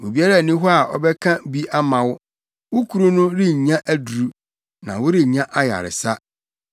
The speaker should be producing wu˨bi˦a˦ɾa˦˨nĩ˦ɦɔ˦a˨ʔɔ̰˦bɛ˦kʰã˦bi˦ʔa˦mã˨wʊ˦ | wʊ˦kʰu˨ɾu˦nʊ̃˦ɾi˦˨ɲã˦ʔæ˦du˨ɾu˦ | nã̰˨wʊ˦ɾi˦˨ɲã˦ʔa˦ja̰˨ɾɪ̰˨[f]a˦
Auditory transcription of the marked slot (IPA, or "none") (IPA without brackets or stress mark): s